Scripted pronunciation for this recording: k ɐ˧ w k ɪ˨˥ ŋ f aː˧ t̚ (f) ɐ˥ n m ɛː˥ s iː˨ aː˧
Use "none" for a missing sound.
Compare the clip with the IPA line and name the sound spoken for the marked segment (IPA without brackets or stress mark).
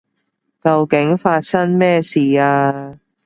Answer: s